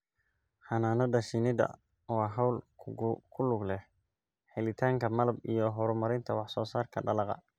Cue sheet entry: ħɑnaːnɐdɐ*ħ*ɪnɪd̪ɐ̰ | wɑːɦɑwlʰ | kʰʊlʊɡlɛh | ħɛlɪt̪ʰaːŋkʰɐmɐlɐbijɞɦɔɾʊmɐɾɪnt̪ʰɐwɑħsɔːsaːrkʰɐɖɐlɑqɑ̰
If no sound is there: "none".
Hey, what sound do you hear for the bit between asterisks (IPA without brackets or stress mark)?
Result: ʃ